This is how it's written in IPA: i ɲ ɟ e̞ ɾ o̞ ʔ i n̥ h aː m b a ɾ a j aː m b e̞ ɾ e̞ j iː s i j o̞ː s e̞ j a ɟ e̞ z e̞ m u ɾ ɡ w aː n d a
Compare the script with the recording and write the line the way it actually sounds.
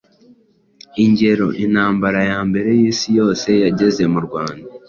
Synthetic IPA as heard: i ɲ ɟ e̞ ɾ o̞ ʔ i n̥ h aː m b a ɾ a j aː m b e̞ ɾ e̞ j iː s i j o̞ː s e̞ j a ɟ e̞ z e̞ m u ɾ ɡ w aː n d a